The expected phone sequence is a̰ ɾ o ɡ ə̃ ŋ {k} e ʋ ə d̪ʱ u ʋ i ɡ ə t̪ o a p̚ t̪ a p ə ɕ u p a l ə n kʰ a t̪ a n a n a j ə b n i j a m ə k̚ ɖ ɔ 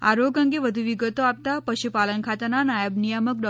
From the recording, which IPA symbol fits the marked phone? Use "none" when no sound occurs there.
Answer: ɡ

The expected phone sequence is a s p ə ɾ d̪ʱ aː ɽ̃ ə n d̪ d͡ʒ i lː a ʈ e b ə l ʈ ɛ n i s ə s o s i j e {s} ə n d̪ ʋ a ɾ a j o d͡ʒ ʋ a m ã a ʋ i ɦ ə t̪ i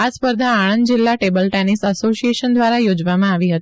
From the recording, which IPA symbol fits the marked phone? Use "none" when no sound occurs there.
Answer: ʃ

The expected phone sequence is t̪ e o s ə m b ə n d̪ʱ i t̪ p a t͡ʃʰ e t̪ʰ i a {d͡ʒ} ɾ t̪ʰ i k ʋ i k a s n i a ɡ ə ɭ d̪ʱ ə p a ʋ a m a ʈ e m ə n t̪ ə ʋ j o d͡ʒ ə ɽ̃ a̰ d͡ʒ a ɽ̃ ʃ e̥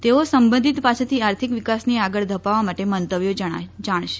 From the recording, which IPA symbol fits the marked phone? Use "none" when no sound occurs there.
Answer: none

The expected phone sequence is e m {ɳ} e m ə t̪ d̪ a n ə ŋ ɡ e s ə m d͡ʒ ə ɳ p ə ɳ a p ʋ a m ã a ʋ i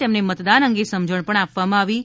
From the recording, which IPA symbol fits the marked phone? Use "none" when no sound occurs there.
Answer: n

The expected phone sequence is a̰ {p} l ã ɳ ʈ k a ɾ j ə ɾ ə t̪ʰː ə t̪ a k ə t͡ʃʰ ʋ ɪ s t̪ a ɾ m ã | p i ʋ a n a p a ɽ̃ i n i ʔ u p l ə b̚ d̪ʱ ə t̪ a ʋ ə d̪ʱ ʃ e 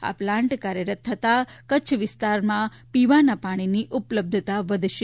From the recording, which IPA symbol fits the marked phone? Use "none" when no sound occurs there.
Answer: p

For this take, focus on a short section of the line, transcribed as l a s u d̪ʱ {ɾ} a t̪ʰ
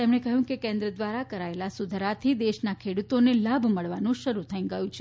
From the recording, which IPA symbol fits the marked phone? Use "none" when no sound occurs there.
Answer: ɾ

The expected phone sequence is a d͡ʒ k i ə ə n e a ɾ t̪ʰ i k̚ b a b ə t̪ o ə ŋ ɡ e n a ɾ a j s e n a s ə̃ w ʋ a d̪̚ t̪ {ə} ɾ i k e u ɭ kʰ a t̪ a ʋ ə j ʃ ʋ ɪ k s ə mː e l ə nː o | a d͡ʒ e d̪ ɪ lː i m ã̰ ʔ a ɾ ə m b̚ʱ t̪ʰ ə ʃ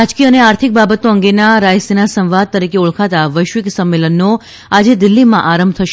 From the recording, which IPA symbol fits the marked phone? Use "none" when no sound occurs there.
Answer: ə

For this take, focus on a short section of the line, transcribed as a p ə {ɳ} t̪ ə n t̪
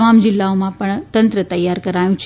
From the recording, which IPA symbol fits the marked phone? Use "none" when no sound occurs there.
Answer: ɳ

